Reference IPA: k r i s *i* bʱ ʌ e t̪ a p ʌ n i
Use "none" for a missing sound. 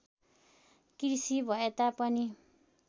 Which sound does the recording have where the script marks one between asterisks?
i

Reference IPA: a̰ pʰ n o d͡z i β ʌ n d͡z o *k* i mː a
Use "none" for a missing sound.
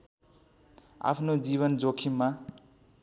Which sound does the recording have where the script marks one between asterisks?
kʰ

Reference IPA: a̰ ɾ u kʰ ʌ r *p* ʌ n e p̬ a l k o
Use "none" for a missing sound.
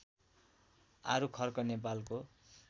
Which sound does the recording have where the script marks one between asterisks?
k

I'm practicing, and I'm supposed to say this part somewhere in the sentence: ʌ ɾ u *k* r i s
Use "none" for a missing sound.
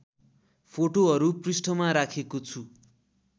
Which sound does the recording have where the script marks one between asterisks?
p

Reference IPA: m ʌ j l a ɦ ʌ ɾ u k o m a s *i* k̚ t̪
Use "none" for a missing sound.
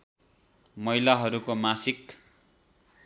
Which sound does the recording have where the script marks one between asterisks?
i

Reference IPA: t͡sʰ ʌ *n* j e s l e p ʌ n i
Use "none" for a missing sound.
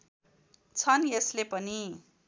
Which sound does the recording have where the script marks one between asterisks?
n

